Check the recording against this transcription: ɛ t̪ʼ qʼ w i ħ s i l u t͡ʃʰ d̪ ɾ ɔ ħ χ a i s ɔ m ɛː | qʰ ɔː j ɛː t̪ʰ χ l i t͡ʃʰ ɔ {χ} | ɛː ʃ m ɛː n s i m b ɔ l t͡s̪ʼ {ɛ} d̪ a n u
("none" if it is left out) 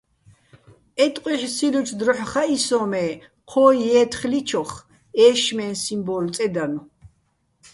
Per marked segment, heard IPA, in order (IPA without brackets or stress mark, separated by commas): χ, ɛ